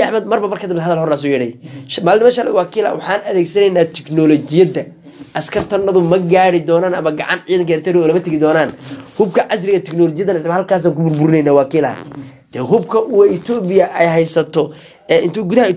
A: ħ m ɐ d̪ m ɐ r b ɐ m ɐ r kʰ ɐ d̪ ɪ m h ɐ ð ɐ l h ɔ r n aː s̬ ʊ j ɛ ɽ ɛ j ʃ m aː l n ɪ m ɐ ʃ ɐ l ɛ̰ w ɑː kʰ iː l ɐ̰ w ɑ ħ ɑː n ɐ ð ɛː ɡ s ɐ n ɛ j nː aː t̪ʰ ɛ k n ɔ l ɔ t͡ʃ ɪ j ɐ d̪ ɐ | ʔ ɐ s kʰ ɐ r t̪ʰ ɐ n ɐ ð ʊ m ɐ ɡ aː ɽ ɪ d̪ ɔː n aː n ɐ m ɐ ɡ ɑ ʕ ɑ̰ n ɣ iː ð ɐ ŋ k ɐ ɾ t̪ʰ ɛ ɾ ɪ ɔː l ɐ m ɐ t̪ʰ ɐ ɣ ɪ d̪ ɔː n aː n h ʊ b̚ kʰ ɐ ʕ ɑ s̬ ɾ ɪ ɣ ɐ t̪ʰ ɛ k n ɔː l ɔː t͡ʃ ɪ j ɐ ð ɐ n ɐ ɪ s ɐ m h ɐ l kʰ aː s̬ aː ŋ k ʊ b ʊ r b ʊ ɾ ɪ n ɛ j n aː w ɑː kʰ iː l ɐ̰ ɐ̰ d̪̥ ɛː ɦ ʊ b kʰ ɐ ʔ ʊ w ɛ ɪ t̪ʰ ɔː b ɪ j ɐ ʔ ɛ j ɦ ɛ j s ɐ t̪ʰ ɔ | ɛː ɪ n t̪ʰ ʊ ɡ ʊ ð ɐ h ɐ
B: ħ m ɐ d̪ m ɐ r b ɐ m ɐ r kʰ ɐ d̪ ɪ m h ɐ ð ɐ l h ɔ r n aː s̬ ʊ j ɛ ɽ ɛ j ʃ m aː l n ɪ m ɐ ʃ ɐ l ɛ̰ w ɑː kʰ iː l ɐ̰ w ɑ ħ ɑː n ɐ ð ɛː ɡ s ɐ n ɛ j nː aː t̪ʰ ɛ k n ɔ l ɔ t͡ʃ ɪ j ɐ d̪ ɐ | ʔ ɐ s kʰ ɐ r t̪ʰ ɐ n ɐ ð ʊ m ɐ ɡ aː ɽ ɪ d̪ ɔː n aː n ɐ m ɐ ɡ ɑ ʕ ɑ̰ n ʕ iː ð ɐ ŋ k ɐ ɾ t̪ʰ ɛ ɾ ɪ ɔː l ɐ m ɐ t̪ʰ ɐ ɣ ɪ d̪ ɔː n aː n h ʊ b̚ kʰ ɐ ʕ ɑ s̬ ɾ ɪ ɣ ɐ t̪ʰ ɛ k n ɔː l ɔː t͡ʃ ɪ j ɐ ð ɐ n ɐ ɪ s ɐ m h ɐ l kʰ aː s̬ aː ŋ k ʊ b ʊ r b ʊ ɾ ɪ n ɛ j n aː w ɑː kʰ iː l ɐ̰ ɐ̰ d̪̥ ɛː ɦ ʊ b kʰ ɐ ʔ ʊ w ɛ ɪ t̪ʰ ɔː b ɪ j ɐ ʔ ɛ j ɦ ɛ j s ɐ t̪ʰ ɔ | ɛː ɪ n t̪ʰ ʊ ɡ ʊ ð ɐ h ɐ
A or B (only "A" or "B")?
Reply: B